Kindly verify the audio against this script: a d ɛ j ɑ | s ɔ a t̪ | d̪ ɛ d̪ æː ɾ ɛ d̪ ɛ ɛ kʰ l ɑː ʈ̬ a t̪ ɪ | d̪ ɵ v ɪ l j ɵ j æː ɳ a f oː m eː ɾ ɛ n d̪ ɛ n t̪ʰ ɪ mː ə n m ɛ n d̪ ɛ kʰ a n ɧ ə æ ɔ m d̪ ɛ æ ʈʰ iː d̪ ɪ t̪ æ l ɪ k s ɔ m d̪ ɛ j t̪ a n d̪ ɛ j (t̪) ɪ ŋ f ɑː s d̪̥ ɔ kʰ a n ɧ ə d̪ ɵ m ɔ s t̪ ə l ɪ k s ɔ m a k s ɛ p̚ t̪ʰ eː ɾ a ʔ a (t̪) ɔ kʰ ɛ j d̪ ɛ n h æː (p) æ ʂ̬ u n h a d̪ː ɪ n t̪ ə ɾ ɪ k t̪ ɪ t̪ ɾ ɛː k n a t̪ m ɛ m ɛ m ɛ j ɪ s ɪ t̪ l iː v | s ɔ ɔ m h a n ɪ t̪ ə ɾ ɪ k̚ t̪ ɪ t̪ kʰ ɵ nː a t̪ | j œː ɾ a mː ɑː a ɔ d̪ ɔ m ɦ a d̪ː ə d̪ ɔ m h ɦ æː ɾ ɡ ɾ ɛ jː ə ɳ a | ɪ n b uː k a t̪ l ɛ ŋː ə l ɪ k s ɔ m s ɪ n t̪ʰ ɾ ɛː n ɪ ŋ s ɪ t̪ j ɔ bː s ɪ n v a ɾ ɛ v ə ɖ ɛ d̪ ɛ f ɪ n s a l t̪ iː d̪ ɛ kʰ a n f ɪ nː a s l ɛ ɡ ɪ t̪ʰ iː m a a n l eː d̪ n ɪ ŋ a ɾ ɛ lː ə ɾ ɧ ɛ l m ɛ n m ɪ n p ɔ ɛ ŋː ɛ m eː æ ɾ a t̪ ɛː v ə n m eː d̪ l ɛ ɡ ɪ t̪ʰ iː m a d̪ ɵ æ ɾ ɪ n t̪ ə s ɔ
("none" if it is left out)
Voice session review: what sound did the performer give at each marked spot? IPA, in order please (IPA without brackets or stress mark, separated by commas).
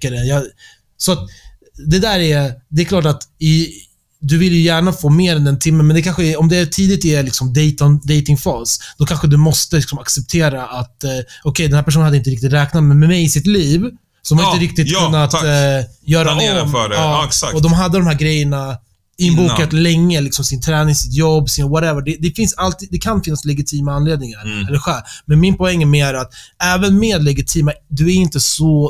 t̪, t̪, p